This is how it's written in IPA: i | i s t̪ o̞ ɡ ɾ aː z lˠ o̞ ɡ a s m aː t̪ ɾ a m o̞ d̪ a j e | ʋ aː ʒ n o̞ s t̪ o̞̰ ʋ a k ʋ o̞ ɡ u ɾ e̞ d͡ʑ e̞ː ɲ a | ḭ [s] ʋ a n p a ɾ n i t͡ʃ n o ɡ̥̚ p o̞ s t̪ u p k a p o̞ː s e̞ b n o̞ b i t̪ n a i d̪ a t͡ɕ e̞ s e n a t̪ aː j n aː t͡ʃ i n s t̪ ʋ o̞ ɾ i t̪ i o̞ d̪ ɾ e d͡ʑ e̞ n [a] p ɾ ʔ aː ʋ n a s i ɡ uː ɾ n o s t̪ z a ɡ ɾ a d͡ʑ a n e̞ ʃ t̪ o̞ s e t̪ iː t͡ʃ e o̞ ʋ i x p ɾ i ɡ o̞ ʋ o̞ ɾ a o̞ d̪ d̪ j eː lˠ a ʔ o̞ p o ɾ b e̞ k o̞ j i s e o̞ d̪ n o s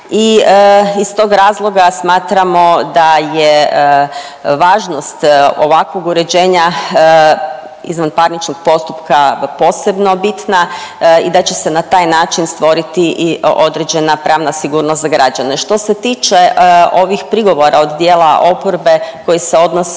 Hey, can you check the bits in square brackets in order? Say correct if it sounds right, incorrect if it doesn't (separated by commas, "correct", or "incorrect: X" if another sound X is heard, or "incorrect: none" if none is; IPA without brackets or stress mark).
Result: incorrect: z, correct